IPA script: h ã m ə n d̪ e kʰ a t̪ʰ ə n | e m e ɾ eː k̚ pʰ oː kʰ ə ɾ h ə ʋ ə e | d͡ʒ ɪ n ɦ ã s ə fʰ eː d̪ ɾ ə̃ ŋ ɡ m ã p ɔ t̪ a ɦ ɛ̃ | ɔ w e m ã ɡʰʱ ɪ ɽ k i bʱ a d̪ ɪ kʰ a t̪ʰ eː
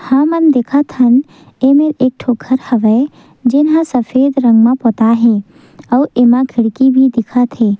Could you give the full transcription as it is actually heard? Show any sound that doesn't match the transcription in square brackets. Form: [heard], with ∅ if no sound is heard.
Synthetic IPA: h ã m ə n d̪ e kʰ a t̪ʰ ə n | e m e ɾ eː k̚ [ʈʰ] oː kʰ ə ɾ h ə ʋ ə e | d͡ʒ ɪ n ɦ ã s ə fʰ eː d̪ ɾ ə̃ ŋ ɡ m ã p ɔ t̪ a ɦ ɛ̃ | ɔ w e m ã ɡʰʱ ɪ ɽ k i bʱ [i] d̪ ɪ kʰ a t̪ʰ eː